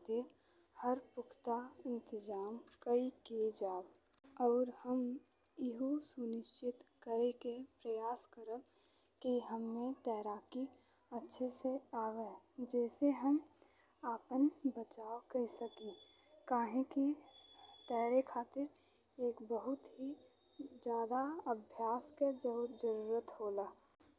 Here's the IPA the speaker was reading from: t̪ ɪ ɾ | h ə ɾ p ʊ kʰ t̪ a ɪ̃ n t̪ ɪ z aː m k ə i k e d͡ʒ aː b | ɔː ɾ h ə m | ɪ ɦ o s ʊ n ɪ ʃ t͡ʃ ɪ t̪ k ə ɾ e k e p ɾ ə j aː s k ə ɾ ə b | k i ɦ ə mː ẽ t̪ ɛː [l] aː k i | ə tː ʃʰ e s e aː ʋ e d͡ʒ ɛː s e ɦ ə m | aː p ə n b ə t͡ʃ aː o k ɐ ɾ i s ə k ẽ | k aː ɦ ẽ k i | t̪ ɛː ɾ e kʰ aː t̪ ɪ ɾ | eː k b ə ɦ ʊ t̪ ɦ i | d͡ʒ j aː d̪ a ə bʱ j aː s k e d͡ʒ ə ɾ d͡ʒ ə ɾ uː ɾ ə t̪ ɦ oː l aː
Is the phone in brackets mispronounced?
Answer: yes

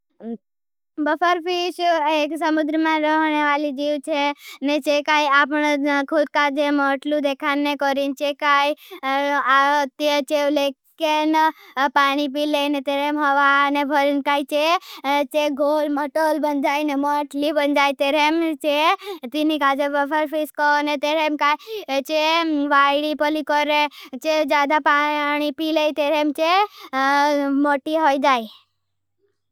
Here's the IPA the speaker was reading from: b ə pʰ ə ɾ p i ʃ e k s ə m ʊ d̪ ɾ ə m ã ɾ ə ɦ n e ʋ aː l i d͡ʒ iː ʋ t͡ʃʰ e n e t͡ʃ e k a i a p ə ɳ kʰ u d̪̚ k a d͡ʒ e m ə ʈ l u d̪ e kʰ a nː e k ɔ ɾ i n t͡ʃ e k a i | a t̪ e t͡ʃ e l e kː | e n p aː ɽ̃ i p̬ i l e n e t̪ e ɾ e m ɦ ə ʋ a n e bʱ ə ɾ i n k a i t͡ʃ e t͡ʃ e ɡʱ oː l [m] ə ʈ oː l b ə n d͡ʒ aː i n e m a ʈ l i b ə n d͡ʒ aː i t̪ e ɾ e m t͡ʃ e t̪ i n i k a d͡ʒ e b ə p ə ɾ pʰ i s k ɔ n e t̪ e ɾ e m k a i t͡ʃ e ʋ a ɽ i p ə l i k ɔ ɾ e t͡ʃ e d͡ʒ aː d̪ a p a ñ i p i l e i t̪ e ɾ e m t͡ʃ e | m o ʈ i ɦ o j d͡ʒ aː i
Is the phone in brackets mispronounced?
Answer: no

